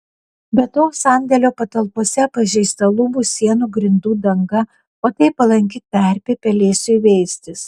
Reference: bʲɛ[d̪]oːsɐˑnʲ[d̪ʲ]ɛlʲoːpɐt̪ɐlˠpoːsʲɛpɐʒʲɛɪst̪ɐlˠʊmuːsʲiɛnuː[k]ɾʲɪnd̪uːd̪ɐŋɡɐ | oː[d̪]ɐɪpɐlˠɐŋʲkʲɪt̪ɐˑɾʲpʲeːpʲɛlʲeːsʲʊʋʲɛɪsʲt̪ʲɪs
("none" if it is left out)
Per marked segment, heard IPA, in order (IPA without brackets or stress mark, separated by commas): t̪, d̪ʲ, ɡ, t̪